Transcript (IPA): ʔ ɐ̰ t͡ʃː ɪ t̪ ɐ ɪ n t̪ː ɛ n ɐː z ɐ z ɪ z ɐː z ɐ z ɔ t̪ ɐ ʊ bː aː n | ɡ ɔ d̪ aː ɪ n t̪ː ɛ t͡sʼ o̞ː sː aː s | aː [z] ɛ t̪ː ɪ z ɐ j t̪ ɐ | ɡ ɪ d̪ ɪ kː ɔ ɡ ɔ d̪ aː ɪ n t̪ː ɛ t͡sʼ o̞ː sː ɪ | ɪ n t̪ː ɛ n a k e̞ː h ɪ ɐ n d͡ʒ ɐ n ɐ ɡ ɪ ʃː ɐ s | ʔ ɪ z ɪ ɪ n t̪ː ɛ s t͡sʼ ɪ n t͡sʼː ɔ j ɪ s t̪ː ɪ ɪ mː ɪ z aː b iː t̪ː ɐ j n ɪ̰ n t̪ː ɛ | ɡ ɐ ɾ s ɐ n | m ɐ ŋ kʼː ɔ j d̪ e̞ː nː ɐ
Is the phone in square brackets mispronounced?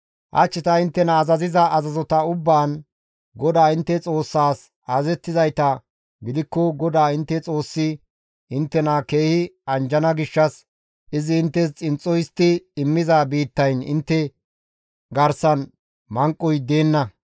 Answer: no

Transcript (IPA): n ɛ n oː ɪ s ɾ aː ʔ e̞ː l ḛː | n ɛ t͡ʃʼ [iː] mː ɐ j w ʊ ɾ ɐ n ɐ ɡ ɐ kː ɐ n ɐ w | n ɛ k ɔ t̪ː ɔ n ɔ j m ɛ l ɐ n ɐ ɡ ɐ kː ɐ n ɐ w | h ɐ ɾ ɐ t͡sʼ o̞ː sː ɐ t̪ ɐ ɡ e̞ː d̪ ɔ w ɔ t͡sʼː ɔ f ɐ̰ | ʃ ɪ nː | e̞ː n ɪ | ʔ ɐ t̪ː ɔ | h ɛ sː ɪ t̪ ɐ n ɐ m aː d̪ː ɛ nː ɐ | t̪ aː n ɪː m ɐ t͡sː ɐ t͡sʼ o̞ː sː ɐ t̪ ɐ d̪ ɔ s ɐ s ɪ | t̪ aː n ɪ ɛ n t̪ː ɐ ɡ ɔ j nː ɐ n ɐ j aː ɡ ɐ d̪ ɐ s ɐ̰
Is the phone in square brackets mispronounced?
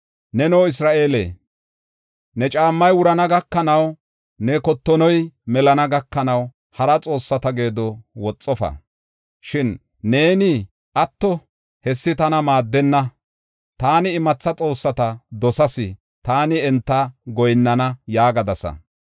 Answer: yes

